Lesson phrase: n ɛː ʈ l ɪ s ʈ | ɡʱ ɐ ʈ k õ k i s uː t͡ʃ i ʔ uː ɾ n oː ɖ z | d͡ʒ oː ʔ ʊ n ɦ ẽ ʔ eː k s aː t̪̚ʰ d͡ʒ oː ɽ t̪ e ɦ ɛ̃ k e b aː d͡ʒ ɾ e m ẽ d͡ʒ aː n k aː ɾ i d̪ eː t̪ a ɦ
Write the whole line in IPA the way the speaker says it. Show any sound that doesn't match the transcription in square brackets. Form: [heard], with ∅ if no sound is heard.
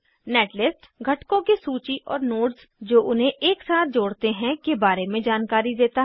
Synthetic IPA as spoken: n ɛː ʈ l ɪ s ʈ | ɡʱ ɐ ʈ k õ k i s uː t͡ʃ i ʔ [ɔː] ɾ n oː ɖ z | d͡ʒ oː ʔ ʊ n ɦ ẽ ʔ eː k s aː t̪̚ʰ d͡ʒ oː ɽ t̪ e ɦ ɛ̃ k e b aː [∅] ɾ e m ẽ d͡ʒ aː n k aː ɾ i d̪ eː t̪ a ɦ